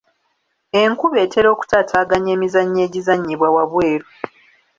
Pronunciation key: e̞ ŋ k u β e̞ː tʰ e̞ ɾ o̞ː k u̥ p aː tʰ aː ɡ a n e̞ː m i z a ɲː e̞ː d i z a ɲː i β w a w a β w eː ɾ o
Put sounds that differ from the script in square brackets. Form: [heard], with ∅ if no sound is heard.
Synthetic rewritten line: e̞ ŋ k u β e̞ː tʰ e̞ ɾ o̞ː k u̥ [t] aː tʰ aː ɡ a [ɲ] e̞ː m i z a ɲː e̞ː [ɟ] i z a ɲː i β w a w a β w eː ɾ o